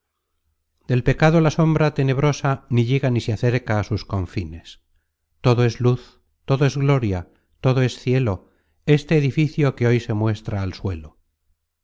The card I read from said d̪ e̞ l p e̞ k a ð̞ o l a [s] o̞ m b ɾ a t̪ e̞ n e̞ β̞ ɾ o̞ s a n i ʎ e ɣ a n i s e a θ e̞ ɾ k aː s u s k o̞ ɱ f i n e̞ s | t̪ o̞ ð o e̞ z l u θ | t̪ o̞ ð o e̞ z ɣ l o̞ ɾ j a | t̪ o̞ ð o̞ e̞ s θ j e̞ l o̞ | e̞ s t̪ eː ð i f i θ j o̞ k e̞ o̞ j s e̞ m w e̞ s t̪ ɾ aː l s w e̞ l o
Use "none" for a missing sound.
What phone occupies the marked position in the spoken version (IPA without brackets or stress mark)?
s